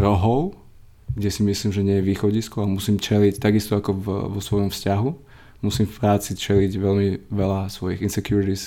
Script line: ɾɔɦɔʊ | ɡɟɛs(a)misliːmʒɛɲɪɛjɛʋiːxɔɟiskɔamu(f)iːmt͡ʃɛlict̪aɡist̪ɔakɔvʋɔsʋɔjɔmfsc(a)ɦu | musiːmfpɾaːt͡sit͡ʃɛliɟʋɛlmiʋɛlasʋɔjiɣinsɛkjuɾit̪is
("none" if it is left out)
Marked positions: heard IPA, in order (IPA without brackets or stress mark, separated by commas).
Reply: i, s, a